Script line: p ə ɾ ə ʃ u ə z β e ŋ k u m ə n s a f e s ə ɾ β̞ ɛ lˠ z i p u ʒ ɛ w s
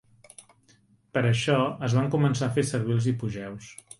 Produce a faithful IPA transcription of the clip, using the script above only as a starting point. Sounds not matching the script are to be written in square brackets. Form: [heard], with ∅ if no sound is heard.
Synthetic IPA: p ə ɾ ə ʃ [ɔ] ə z β [a] ŋ k u m ə n s a f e s ə ɾ β̞ [i] lˠ z i p u ʒ ɛ w s